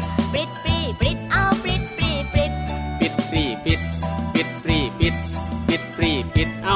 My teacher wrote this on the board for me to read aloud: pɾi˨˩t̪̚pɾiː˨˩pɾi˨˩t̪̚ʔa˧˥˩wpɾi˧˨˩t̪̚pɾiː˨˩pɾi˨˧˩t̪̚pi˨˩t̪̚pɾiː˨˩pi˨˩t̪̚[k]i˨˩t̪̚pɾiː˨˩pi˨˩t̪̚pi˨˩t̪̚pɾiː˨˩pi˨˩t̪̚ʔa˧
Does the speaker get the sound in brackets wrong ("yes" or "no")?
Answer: yes